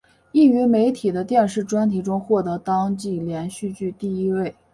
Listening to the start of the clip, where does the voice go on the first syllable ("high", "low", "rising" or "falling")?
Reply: falling